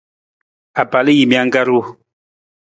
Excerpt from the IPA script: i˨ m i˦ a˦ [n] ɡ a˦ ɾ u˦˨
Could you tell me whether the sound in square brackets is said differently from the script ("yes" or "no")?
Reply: yes